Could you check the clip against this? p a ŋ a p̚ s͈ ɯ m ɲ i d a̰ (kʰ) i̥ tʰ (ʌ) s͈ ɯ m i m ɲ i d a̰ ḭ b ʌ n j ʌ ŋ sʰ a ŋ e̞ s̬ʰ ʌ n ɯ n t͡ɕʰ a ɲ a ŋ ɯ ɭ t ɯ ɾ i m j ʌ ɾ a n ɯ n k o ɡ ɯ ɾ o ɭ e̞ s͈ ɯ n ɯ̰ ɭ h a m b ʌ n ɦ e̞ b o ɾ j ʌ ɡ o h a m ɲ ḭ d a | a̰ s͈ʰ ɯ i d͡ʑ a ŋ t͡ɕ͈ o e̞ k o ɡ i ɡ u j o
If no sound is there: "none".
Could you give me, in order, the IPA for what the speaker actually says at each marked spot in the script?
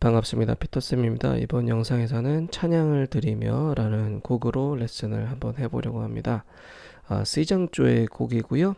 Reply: pʰ, ʌ

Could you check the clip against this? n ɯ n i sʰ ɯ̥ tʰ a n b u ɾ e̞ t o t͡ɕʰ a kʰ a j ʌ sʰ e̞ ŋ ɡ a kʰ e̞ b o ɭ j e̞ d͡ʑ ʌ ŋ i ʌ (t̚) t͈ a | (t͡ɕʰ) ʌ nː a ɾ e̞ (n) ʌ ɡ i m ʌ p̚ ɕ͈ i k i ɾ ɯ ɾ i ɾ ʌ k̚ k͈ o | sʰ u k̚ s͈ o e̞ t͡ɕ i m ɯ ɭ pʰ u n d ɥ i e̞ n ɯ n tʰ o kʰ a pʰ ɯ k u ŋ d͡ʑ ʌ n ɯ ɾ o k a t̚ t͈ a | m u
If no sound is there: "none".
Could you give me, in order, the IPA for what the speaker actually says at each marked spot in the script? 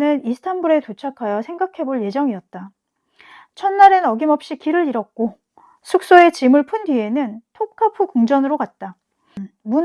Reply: t̚, t͡ɕʰ, n

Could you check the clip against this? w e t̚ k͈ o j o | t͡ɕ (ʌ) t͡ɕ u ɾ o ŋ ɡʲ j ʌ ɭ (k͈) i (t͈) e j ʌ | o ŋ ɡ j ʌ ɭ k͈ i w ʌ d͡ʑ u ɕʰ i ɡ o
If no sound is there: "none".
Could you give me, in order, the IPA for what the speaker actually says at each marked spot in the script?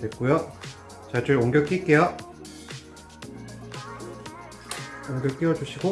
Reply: a, k͈, k͈

